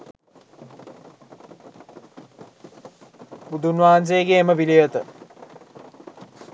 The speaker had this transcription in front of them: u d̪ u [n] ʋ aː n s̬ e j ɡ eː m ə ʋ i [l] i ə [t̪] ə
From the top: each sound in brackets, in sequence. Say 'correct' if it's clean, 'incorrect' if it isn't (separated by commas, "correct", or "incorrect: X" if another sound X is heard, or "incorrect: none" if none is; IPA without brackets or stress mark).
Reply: correct, correct, correct